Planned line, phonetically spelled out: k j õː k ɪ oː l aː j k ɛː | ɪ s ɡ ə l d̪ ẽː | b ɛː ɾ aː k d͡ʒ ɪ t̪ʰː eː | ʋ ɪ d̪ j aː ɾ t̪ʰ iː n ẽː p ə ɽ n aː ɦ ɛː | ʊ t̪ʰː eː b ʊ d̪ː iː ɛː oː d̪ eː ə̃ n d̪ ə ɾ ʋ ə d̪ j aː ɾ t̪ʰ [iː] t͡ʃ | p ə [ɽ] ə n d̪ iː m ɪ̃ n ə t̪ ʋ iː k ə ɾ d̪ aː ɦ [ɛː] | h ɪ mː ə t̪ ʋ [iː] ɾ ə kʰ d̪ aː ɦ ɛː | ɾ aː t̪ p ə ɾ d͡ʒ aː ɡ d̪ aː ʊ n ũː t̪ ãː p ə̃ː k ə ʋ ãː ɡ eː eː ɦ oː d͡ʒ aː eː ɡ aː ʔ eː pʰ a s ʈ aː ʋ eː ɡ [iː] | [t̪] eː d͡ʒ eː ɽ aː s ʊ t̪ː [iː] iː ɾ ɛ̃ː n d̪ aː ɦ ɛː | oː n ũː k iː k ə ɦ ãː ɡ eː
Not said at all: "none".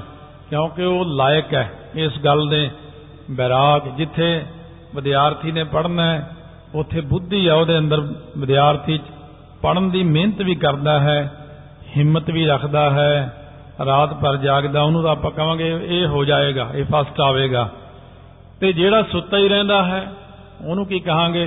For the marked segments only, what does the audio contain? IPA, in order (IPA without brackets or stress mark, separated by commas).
iː, ɽ, ɛː, iː, aː, t̪, aː